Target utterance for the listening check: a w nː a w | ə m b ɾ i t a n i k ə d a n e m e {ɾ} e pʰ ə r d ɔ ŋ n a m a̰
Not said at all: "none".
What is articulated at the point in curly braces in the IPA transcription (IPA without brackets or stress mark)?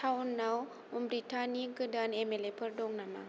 l